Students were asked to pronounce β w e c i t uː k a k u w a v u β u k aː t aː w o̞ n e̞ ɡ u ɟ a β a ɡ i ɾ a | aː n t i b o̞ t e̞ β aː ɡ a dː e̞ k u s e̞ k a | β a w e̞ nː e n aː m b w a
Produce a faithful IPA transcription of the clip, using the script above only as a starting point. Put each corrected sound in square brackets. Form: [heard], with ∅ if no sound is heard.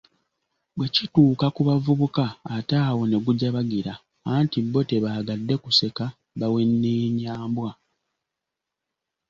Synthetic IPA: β w e c i t uː k a k u [β] a v u β u k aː t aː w o̞ n e̞ ɡ u ɟ a β a ɡ i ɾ a | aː n t i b o̞ t e̞ β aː ɡ a dː e̞ k u s e̞ k a | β a w e̞ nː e [ɲ] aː m b w a

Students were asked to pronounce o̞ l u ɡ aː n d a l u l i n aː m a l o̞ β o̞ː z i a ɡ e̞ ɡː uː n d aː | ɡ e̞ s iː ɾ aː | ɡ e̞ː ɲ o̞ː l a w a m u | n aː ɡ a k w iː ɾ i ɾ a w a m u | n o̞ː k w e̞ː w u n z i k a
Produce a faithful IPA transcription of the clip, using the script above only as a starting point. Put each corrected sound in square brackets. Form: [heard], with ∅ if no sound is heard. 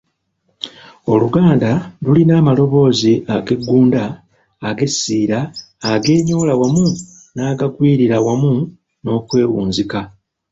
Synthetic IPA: o̞ l u ɡ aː n d a l u l i n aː m a l o̞ β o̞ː z i a ɡ e̞ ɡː uː n d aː | ɡ e̞ s iː ɾ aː | ɡ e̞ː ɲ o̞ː l a w a m u | n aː ɡ a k w iː ɾ i ɾ a w a m u | n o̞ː k w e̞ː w [uː] n z i k a

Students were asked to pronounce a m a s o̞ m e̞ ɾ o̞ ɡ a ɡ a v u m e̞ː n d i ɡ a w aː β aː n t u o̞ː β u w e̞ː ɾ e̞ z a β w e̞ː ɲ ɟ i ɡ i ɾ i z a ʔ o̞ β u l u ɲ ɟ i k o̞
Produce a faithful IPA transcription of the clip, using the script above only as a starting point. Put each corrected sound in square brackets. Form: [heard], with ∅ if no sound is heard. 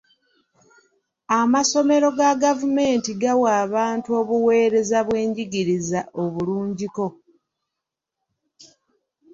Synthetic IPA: a m a s o̞ m e̞ ɾ o̞ ɡ a ɡ a v u m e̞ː n [t] i ɡ a w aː β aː n t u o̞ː β u w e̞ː ɾ e̞ z a β w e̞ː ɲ ɟ i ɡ i ɾ i z a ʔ o̞ β u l [uː] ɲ ɟ i k o̞

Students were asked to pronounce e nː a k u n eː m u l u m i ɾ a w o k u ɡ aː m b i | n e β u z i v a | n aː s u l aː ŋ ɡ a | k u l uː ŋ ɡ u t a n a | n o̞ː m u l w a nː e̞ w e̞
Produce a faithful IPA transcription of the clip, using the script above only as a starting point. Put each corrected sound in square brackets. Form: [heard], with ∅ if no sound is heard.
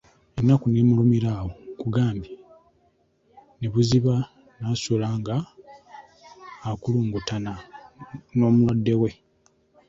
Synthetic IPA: e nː a k u n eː m u l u m i ɾ a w o k u ɡ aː m b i | n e β u z i [β] a | n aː s u l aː ŋ ɡ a | k u l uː ŋ ɡ u t a n a | n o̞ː m u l w a [dː] e̞ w e̞

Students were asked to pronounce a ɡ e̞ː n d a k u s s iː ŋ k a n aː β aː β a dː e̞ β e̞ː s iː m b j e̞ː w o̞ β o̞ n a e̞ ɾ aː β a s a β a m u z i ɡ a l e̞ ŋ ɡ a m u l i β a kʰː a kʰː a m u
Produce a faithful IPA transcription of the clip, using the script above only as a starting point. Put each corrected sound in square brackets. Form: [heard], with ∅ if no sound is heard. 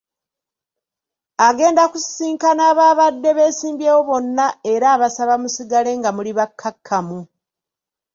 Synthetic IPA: a ɡ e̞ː n d a k u s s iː ŋ k a n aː β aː β a dː e̞ β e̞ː s iː m b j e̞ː w o̞ β o̞ [nː] a e̞ ɾ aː β a s a β a m u [s] i ɡ a l e̞ ŋ ɡ a m u l i β a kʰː a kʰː a m u

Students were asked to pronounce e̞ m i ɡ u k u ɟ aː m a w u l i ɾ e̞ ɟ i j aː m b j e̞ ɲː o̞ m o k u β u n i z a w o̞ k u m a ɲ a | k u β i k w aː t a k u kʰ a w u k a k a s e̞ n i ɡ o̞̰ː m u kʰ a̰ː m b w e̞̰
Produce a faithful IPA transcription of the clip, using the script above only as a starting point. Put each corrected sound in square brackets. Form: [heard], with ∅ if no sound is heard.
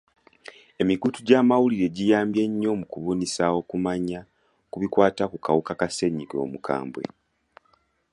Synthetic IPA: e̞ m i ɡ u [t] u ɟ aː m a w u l i ɾ e̞ ɟ i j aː m b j e̞ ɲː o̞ m [u] k u β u n i [s] a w o̞ k u m a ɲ a | k u β i k w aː t a k u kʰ a w u k a k a s e̞ [ɲ] i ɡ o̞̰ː m u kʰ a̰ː m b w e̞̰

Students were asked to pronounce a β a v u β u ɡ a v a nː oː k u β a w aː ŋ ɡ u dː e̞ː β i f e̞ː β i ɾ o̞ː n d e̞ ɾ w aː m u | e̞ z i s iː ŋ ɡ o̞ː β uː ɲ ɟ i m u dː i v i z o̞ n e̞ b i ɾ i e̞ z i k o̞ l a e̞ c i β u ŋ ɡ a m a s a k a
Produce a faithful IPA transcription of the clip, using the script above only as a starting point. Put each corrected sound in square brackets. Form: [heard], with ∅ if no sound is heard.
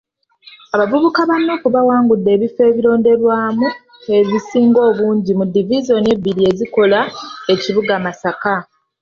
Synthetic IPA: a β a v u β u [k] a [β] a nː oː k u β a w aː ŋ ɡ u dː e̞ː β i f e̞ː β i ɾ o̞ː n d e̞ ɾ w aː m u | e̞ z i s iː ŋ ɡ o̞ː β uː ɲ ɟ i m u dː i v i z o̞ n e̞ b i ɾ i e̞ z i k o̞ l a e̞ c i β u [∅] ɡ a m a s a k a

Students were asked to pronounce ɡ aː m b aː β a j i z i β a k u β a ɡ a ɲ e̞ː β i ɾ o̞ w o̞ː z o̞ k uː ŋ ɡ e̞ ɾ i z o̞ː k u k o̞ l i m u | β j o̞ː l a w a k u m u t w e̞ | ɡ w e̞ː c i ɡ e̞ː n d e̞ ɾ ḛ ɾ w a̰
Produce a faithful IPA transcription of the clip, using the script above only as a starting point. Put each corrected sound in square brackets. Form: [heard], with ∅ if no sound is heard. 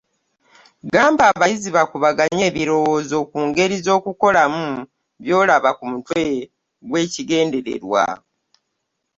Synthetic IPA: ɡ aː m b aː β a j i z i β a k u β a ɡ a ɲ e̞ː β i ɾ o̞ w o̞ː z o̞ k uː ŋ ɡ e̞ ɾ i z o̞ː k u k o̞ l [a] m u | β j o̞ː l a [β] a k u m u t w e̞ | ɡ w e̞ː c i ɡ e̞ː n d e̞ ɾ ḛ ɾ w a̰

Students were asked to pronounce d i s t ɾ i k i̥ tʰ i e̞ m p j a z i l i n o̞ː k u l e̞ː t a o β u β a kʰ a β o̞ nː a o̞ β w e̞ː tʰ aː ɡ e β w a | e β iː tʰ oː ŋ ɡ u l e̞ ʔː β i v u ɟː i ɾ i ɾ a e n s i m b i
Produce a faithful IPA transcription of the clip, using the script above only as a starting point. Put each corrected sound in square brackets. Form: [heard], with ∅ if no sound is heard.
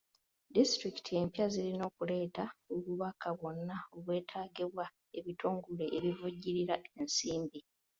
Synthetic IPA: d i s t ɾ i k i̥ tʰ i e̞ m p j a z i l i n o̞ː k u l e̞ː t a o β u β a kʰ a β o̞ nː a o̞ β w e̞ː tʰ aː ɡ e β w a | e β [i] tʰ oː ŋ ɡ u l e̞ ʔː β i v u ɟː i ɾ i ɾ a e n s [iː] m b i

